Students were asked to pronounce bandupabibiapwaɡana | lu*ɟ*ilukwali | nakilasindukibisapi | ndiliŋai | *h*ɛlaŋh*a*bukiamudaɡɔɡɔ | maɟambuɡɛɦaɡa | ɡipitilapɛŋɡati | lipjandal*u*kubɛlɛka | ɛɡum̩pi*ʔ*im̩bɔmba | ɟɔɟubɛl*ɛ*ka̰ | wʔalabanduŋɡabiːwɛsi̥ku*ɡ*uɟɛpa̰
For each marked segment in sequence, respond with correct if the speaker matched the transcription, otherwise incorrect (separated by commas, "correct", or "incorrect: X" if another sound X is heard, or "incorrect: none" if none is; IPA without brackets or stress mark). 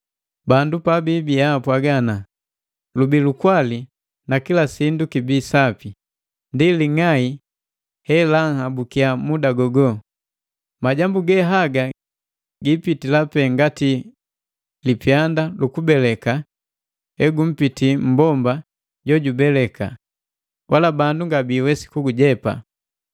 incorrect: b, correct, correct, correct, incorrect: t, correct, correct